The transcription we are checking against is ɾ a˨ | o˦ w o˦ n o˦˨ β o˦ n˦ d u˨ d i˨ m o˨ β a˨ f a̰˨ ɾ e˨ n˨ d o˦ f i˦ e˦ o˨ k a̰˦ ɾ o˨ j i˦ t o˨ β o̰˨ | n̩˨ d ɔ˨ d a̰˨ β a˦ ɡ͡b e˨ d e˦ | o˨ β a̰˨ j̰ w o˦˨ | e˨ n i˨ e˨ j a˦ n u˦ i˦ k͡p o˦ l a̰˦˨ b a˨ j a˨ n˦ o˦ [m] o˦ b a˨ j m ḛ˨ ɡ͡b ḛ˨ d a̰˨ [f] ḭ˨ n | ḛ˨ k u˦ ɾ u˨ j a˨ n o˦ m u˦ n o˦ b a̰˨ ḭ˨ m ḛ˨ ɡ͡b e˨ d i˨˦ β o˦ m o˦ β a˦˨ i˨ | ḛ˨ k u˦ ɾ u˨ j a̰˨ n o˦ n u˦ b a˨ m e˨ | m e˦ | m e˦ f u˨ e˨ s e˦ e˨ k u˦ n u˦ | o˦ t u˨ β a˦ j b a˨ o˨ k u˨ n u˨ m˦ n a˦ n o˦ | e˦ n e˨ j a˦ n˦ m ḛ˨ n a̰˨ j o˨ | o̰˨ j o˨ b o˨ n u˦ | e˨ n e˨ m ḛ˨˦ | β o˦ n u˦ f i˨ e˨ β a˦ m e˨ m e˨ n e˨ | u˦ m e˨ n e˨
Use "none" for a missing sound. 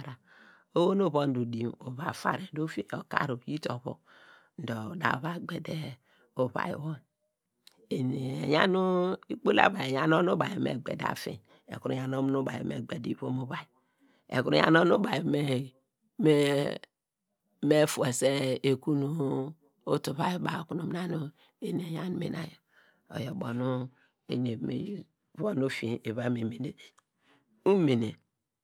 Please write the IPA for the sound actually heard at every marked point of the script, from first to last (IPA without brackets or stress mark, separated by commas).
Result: n, f